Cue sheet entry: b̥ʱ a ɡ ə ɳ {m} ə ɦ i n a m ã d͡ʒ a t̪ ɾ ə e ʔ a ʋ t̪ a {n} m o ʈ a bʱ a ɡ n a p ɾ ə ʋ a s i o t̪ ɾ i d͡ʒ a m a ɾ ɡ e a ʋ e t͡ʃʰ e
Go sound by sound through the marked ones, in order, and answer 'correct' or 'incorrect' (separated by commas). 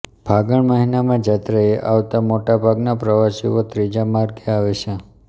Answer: correct, incorrect